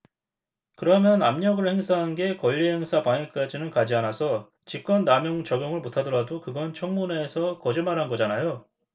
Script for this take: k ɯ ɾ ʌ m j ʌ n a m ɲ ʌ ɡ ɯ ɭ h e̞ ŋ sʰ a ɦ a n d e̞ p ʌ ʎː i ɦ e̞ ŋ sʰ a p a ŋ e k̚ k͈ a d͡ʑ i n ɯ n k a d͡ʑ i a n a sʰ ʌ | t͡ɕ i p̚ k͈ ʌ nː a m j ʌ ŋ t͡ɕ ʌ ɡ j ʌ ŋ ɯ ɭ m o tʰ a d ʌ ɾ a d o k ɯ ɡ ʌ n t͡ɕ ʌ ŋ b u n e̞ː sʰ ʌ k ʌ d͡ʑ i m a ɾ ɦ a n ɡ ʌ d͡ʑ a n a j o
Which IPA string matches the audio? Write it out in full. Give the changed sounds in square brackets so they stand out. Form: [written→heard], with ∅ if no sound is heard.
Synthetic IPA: k ɯ ɾ ʌ m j ʌ n a m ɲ ʌ ɡ ɯ ɭ h e̞ ŋ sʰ a ɦ a n [d→ɡ] e̞ [p→k] ʌ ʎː i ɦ e̞ ŋ sʰ a p a ŋ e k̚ k͈ a d͡ʑ i n ɯ n k a d͡ʑ i a n a sʰ ʌ | t͡ɕ i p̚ k͈ ʌ nː a m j ʌ ŋ t͡ɕ ʌ ɡ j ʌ ŋ ɯ ɭ m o tʰ a d ʌ ɾ a d o k ɯ ɡ ʌ n [t͡ɕ→t͡ɕʰ] ʌ ŋ [b→m] u n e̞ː sʰ ʌ k ʌ d͡ʑ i m a ɾ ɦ a n ɡ ʌ d͡ʑ a n a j o